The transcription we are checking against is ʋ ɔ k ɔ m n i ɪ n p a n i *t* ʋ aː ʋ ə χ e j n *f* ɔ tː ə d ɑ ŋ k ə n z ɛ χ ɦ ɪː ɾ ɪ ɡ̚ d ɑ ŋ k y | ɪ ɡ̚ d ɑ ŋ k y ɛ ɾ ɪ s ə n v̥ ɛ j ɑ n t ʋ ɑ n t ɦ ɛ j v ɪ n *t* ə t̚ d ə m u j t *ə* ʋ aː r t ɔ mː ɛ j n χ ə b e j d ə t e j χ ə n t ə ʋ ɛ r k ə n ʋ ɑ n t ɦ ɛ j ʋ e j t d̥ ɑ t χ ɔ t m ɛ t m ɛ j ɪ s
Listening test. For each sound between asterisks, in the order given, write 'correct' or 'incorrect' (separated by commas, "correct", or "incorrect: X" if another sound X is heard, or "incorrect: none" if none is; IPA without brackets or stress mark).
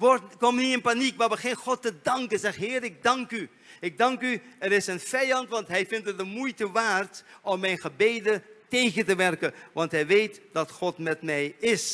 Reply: incorrect: k, incorrect: χ, correct, correct